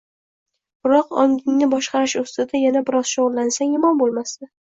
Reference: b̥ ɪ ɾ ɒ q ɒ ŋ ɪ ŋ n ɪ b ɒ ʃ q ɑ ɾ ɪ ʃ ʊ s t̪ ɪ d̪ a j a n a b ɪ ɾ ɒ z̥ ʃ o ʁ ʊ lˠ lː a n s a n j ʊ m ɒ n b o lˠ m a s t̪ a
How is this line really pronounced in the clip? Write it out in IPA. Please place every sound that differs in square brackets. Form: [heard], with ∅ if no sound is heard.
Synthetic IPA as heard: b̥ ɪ ɾ ɒ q ɒ ŋ ɪ ŋ n ɪ b ɒ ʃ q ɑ ɾ ɪ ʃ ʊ s t̪ ɪ d̪ a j a n a b ɪ ɾ ɒ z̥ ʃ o ʁ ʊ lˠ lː a n s a [ŋ] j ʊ m ɒ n b o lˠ m a s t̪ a